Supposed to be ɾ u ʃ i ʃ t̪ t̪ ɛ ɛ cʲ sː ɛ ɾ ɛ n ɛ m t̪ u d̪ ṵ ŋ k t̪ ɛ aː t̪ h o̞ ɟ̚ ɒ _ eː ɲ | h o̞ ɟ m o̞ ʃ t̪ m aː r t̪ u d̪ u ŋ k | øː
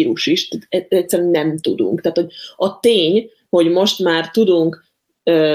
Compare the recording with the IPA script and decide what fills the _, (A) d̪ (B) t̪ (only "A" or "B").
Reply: B